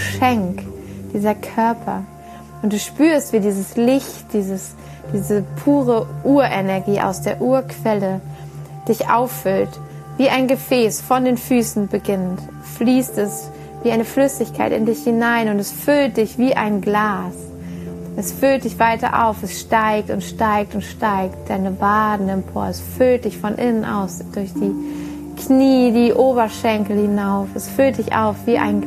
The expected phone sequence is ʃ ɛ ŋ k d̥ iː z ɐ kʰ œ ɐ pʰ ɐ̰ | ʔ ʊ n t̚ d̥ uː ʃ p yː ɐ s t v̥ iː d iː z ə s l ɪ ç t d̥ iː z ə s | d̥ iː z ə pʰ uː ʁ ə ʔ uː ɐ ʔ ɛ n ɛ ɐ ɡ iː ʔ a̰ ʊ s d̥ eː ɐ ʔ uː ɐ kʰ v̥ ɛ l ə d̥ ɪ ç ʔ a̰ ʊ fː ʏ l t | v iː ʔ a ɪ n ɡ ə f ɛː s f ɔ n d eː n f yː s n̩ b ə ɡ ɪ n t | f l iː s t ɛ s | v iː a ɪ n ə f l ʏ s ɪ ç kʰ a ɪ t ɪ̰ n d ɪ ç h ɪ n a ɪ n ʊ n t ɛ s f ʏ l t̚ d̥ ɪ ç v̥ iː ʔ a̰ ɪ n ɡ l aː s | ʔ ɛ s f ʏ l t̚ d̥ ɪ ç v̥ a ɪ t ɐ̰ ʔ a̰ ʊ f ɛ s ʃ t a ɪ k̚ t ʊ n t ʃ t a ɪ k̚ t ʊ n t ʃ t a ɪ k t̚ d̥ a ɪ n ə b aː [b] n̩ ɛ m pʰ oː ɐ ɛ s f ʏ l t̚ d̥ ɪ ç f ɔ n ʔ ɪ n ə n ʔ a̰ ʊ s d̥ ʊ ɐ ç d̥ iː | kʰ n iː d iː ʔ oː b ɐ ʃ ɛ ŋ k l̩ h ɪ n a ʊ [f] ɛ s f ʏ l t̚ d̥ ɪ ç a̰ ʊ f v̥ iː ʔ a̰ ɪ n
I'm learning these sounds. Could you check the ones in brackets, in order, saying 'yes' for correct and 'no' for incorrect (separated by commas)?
no, yes